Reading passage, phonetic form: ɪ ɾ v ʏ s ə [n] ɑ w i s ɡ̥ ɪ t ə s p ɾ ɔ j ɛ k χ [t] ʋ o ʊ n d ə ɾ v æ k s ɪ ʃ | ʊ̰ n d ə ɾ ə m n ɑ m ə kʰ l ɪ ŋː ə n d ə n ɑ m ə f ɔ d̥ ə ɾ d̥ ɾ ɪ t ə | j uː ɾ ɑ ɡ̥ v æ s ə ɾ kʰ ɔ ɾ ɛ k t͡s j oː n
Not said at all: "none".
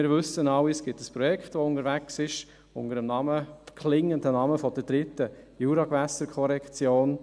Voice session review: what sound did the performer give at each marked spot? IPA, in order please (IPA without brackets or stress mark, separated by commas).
n, t